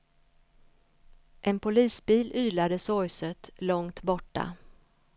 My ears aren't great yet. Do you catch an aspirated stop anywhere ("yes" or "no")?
no